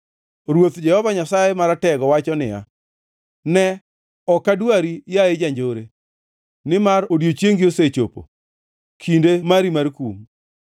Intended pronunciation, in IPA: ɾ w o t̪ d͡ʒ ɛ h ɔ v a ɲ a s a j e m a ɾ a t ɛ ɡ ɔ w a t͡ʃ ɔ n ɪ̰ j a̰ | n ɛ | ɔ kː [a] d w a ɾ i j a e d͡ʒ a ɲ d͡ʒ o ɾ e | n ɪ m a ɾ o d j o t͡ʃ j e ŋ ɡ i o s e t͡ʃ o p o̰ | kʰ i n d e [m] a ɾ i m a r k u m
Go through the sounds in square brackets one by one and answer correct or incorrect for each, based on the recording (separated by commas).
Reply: correct, correct